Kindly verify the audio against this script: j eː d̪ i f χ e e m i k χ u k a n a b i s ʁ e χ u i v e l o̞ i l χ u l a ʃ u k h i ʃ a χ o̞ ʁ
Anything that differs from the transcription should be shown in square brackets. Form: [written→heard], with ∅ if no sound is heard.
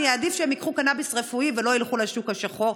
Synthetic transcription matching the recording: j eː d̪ i f [χ→ʃ] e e m i k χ u k a n a b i s ʁ e [χ→f] u i v e l o̞ i l χ u l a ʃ u k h [i→a] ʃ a χ o̞ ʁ